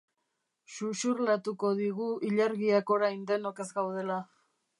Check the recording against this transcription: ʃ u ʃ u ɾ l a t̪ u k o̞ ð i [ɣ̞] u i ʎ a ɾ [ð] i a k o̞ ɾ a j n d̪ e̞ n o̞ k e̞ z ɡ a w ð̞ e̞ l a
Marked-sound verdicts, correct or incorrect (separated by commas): correct, incorrect